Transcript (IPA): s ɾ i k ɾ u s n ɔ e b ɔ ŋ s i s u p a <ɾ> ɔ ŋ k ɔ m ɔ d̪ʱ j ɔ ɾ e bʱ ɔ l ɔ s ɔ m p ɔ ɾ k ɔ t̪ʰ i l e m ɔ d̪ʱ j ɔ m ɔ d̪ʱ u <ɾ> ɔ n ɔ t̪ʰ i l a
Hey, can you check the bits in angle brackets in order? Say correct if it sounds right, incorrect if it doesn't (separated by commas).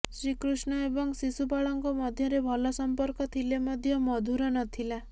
incorrect, correct